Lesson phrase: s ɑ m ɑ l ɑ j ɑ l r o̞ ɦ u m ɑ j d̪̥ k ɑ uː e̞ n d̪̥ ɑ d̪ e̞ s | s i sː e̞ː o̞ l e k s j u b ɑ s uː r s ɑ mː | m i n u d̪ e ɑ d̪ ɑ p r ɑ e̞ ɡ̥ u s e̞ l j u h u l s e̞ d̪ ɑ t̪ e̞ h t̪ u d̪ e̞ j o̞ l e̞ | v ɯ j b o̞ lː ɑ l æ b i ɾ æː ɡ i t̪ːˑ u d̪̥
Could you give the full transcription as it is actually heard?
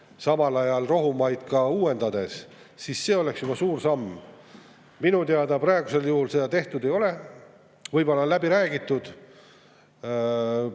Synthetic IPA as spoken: s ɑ m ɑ l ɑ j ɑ l r o̞ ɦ u m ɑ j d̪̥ k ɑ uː e̞ n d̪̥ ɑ d̪ e̞ s | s i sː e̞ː o̞ l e k s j u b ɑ s uː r s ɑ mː | m i n u t̪ e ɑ d̪ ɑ p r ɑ e̞ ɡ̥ u s e̞ l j u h u l s e̞ d̪ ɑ t̪ e̞ h t̪ u d̪ e̞ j o̞ l e̞ | v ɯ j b o̞ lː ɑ l æ b i ɾ æː ɡ i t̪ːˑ u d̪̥